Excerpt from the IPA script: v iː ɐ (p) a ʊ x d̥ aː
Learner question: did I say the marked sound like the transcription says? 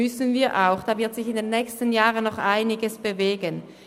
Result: no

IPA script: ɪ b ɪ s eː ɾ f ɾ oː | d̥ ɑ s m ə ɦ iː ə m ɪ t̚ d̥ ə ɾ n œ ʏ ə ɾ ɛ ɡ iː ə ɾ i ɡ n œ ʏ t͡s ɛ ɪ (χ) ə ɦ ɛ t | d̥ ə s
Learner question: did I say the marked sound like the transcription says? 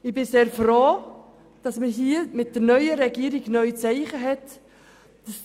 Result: yes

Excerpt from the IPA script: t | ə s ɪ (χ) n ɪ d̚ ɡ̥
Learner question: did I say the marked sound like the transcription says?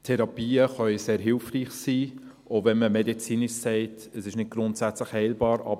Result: no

